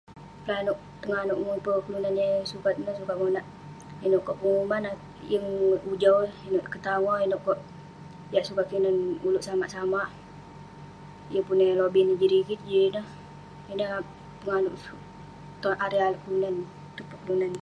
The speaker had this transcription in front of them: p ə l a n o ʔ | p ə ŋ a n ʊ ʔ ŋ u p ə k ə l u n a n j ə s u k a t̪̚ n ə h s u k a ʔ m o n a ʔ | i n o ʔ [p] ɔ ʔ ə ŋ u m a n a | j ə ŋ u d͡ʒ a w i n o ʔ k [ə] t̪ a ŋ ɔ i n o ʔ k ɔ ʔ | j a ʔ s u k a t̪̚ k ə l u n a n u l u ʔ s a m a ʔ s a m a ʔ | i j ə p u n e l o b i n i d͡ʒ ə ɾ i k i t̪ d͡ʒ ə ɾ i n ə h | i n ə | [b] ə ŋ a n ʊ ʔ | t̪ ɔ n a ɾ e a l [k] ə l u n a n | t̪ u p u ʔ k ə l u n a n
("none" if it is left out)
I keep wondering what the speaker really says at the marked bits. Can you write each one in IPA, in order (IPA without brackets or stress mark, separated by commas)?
k, ə, p, k